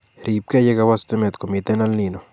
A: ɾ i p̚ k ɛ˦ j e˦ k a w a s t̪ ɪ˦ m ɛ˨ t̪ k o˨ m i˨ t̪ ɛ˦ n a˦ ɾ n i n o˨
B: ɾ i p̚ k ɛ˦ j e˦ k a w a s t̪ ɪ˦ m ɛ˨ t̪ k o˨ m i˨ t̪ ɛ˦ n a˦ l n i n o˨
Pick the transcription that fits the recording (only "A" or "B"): B